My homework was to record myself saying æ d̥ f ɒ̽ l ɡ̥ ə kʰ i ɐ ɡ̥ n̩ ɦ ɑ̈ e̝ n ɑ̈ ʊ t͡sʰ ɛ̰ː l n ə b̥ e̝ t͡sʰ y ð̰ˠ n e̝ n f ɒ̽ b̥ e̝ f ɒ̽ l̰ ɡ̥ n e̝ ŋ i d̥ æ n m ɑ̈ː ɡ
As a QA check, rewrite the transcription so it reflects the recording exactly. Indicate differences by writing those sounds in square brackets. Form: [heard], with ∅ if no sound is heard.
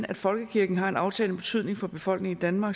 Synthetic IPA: æ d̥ f ɒ̽ l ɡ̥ ə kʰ i ɐ ɡ̥ n̩ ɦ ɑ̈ e̝ n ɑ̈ ʊ t͡sʰ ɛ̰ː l n ə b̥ e̝ t͡sʰ y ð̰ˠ n e̝ [ŋ] f ɒ̽ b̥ e̝ f ɒ̽ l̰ ɡ̥ n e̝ ŋ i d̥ æ n m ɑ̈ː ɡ